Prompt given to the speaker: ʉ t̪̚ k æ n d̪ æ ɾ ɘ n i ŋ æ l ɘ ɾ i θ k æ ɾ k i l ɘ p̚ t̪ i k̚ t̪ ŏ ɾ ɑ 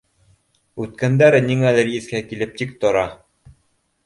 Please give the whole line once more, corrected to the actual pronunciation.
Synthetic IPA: ʉ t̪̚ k æ n d̪ æ ɾ ɘ n i ŋ æ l ɘ ɾ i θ k æ k i l ɘ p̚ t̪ i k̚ t̪ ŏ ɾ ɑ